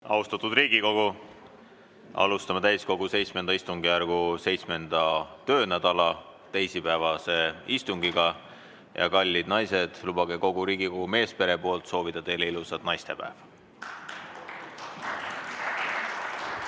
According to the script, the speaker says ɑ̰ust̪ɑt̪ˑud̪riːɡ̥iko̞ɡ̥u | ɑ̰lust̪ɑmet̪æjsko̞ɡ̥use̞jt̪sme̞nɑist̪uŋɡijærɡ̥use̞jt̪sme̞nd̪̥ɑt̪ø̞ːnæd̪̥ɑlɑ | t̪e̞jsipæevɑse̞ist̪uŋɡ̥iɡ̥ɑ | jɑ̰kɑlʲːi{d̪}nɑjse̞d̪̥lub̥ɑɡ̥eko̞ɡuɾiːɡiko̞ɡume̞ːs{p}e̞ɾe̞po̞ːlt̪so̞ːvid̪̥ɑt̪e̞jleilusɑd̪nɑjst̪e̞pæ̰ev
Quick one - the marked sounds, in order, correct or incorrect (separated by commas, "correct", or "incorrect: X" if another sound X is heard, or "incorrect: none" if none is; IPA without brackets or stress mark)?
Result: correct, correct